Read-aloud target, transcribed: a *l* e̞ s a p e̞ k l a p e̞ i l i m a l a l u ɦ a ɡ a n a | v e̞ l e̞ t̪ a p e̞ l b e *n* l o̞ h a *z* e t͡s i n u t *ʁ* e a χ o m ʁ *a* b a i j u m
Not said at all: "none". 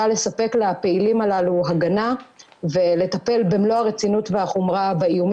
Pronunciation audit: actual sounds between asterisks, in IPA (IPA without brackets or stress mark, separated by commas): l, m, ʁ, v, a